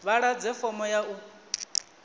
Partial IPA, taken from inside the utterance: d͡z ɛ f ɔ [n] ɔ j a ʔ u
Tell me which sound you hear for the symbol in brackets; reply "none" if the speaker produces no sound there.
m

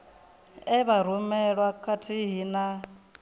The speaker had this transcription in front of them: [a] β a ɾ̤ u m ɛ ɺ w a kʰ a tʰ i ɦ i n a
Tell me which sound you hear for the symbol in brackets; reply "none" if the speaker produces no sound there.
ɛ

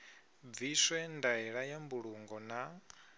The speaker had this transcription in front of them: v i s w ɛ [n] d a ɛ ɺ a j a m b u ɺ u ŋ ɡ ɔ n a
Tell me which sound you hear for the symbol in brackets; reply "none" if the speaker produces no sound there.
n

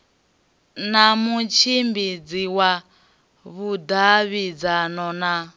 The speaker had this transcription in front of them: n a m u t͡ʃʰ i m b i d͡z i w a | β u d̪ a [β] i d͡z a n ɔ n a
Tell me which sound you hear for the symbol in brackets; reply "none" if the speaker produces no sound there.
β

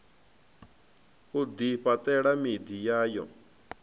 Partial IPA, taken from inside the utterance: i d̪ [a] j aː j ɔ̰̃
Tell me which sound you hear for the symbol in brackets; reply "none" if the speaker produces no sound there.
i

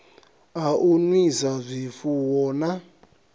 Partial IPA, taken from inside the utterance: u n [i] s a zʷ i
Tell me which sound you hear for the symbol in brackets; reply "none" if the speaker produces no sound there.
i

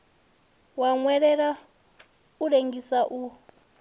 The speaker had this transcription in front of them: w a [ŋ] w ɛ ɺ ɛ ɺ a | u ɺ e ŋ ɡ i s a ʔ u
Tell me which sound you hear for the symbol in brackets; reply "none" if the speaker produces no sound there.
ŋ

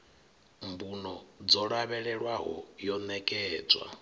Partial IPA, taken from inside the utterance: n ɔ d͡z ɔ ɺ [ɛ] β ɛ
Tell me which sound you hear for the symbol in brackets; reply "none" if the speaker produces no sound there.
a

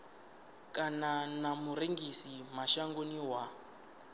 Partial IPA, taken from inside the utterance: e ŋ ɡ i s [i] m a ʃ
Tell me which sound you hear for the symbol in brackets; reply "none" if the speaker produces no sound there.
i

